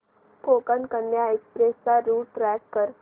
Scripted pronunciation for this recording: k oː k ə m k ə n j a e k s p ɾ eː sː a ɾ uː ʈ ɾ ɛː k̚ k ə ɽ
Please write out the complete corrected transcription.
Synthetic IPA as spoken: k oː k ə n k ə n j a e k s p ɾ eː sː a ɾ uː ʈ ɾ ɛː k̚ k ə ɾ